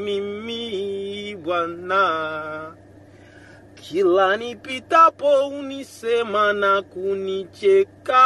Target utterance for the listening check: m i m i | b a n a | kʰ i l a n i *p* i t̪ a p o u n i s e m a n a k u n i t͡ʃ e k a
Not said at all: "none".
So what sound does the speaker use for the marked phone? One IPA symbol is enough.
p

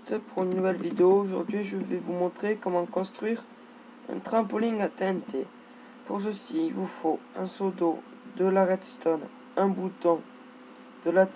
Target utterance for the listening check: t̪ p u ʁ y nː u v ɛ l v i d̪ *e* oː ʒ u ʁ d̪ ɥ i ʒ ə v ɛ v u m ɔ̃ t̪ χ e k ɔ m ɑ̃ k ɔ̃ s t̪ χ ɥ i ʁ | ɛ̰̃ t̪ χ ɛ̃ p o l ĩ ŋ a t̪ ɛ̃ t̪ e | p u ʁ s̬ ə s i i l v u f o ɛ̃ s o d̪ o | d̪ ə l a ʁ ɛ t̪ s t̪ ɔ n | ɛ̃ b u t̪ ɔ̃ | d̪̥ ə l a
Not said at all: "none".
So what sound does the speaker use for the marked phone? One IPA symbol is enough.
e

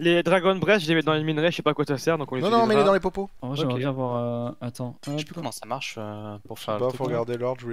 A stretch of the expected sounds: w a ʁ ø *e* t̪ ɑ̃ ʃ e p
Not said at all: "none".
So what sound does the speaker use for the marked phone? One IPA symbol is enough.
a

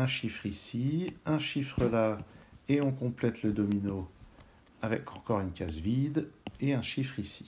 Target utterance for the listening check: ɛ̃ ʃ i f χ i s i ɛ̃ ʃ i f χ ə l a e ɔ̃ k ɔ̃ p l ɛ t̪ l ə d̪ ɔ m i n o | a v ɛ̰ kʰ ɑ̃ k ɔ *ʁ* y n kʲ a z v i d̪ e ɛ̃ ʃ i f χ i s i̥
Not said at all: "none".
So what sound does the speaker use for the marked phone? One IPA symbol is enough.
ʁ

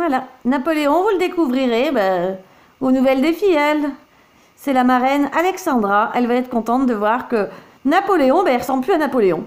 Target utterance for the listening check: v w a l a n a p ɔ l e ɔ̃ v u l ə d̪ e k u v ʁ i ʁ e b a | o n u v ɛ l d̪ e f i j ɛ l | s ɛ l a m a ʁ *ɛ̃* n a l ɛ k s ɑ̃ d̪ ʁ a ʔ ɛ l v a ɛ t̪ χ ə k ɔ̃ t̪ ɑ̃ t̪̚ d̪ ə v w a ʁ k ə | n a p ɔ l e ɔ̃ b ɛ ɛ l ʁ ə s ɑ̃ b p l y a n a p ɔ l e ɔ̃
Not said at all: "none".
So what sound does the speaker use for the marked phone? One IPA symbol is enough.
ɛ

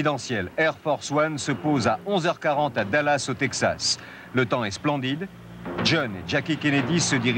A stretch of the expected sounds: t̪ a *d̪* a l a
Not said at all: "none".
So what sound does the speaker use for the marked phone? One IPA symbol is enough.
d̪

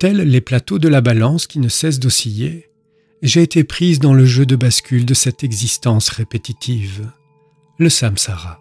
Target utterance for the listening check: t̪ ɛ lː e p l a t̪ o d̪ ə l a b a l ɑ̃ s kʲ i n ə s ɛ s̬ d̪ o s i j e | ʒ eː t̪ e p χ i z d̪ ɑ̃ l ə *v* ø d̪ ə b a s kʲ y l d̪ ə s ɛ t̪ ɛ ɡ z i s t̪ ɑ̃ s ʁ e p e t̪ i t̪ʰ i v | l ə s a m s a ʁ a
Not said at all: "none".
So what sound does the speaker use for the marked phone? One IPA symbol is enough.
ʒ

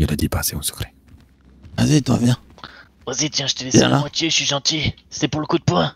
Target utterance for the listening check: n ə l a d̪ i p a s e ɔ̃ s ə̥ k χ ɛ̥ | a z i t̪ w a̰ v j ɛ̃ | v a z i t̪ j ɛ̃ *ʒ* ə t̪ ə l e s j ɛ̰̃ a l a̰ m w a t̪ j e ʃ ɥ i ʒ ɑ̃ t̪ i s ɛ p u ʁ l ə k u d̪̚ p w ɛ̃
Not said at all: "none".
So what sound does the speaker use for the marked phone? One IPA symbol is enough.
ʒ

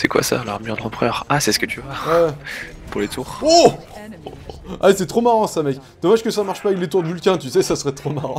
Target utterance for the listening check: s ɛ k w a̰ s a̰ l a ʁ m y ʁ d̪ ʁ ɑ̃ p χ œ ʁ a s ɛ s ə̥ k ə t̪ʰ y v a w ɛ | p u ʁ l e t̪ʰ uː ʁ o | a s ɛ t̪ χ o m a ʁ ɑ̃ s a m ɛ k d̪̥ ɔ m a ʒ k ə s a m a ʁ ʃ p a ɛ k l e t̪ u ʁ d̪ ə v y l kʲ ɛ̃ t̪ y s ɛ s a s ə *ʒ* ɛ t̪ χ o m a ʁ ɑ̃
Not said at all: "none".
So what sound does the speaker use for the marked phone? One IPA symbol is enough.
ʁ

